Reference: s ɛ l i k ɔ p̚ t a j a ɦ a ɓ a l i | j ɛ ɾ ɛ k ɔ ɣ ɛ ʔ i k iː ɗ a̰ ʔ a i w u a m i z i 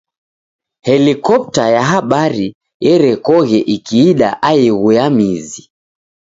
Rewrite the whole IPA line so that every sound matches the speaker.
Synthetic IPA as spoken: h ɛ l i k ɔ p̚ t a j a ɦ a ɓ a ɾ i | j ɛ ɾ ɛ k ɔ ɣ ɛ ʔ i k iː ɗ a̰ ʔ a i ɣ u a m i z i